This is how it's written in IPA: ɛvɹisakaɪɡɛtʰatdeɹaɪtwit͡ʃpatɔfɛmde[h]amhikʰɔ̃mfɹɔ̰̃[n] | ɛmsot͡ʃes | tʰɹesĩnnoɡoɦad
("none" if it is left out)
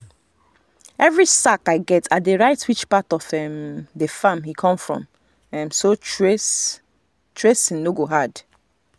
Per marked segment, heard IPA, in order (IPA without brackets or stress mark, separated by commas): f, m